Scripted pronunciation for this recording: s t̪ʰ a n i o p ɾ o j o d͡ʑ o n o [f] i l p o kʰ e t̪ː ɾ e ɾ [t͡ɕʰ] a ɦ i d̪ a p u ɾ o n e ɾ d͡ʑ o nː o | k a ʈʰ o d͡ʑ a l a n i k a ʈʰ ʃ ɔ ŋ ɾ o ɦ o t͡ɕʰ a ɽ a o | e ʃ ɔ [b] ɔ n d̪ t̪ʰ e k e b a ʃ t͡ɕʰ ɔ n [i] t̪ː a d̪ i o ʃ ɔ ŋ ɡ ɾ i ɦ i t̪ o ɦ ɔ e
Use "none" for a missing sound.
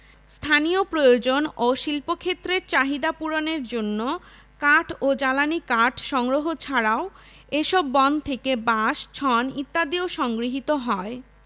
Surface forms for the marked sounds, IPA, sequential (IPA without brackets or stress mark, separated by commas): ʃ, t͡ɕ, bː, i